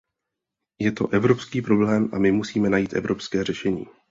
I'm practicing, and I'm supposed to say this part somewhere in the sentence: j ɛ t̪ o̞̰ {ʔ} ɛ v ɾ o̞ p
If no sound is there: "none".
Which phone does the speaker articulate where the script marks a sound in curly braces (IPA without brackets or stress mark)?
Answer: ʔ